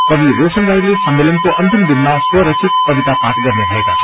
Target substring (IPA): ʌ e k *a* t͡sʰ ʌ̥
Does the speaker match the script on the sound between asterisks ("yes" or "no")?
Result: yes